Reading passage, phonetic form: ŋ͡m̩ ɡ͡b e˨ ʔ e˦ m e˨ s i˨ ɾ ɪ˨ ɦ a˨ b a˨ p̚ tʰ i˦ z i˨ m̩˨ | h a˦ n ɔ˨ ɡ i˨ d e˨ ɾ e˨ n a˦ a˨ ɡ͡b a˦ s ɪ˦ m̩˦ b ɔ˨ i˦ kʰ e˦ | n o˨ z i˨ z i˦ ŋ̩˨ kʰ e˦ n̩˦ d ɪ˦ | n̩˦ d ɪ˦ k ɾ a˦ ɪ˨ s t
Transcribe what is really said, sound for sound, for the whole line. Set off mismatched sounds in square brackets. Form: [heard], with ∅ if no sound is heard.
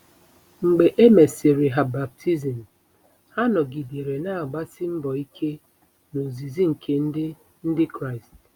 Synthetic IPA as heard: ŋ͡m̩ ɡ͡b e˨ ʔ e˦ m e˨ s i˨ ɾ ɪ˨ ɦ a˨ b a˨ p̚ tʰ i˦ z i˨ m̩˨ | h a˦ n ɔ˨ ɡ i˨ d e˨ ɾ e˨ n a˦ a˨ ɡ͡b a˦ s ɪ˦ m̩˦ b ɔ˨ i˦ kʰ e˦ | n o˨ z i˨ z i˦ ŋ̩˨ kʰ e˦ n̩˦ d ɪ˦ | n̩˦ d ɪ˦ k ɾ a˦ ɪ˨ s t